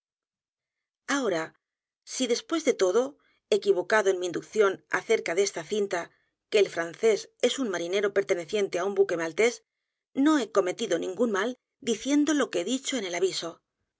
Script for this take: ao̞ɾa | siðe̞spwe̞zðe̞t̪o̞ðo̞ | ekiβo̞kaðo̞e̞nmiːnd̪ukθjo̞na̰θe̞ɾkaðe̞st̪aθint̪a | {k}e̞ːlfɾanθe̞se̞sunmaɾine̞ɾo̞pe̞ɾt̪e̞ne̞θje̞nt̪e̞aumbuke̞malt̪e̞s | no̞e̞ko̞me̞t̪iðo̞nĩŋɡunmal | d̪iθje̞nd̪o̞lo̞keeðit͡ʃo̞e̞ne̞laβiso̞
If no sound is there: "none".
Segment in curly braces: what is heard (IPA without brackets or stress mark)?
k